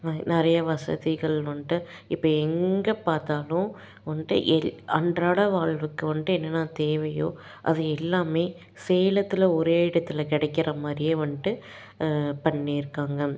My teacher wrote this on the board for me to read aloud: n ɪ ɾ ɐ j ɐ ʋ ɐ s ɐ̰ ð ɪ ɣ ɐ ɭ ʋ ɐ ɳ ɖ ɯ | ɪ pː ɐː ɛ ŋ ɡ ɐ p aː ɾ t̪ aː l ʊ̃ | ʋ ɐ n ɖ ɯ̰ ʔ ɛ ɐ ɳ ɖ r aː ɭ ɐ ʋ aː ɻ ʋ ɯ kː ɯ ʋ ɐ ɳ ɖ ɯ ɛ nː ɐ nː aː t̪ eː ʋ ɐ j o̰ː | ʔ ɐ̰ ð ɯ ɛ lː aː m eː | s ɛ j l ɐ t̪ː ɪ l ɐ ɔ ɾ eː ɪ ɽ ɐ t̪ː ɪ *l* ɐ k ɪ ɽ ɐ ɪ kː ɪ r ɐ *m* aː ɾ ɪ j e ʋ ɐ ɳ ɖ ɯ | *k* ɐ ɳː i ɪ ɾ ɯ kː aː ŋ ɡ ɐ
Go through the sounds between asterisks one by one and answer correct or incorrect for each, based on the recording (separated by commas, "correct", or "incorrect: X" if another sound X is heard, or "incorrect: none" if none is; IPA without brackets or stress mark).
correct, correct, incorrect: p